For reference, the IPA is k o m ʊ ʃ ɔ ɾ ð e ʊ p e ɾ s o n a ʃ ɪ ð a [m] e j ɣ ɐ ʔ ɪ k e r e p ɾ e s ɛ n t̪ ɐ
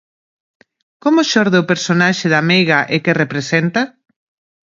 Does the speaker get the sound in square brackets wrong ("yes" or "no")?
no